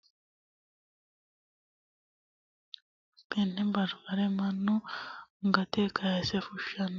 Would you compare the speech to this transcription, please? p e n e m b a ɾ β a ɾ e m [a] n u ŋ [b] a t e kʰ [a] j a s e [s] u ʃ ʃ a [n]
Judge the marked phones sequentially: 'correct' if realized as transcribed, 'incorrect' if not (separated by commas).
correct, incorrect, correct, incorrect, correct